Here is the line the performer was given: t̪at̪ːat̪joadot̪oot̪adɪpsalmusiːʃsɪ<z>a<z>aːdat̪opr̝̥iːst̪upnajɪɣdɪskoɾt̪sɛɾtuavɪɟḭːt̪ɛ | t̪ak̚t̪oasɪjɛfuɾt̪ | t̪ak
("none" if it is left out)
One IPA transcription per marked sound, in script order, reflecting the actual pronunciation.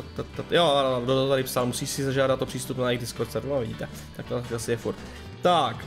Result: z, ʒ

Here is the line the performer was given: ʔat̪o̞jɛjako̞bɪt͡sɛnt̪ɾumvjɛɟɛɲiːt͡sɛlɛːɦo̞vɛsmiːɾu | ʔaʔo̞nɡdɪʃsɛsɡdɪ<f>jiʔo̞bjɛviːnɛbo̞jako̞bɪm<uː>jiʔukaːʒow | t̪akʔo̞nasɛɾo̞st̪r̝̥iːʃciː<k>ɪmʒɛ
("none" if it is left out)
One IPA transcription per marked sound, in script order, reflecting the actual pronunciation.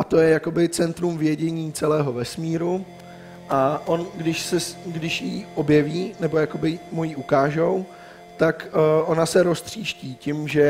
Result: ʃ, u, c

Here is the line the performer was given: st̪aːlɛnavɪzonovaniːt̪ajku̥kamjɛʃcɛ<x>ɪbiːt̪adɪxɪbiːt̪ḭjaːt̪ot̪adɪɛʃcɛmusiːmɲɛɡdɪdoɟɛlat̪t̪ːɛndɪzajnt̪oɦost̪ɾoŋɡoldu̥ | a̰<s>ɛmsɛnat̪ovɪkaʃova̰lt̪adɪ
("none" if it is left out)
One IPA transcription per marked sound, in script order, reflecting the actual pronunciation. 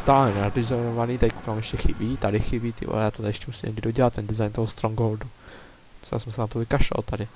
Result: x, s

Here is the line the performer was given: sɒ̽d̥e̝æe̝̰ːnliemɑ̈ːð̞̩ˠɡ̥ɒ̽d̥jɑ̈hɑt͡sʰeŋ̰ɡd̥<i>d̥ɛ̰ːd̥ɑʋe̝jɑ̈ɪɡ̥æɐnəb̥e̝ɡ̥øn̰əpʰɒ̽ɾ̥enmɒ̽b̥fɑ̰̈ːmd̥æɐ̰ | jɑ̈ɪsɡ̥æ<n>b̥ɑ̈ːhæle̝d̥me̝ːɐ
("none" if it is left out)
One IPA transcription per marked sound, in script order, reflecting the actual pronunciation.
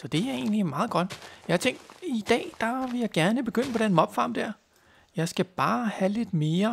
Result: i, none

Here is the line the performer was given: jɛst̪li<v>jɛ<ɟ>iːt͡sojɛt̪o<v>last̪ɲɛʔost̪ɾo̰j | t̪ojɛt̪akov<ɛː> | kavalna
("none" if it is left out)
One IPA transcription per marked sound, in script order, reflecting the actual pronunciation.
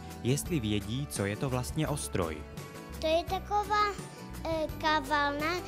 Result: v, ɟ, v, aː

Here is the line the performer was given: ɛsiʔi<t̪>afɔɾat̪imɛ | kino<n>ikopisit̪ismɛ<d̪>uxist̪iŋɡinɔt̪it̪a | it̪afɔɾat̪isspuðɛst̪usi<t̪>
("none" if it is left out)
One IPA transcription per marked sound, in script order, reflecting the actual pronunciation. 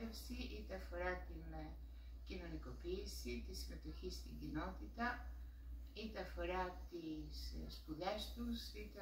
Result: t̪, n, t̪, t̪

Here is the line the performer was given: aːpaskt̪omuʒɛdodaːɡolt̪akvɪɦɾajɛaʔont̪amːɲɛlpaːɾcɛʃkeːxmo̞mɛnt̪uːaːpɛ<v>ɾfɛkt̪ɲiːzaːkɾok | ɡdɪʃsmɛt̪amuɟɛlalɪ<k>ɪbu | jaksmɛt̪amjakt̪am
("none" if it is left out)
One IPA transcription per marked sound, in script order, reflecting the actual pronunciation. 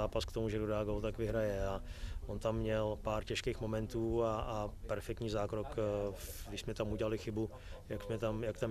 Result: none, x

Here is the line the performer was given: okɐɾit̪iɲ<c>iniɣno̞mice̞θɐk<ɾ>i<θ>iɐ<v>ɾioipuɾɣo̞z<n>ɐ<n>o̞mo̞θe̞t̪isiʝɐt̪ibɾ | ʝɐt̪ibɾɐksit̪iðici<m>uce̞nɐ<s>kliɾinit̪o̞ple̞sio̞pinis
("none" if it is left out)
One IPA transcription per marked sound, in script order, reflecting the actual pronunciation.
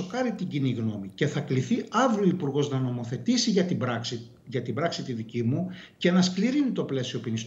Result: ɟ, l, θ, v, n, n, m, s

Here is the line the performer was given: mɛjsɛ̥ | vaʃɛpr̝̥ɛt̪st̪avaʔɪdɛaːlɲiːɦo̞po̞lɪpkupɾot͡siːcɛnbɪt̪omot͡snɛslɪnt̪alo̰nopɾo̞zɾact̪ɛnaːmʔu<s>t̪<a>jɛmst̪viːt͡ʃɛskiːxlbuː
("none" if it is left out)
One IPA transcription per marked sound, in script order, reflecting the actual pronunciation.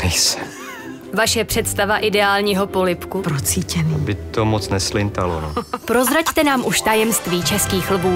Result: ʃ, a

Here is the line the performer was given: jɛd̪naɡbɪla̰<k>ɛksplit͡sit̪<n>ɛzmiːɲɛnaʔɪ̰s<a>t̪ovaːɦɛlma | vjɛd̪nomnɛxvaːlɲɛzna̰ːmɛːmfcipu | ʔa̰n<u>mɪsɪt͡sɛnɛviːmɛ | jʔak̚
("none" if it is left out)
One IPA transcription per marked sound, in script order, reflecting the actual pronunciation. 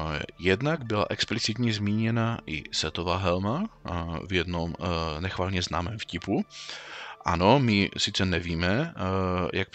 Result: ʔ, ɲ, ɛ, o

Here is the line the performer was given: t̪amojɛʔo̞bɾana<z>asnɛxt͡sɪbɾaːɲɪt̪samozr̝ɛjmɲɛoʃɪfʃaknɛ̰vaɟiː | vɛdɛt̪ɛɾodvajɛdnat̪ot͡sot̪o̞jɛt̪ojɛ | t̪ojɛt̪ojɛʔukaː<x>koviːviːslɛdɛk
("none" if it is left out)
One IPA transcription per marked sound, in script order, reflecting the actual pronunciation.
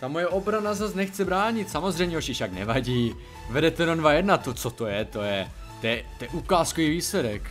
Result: z, s

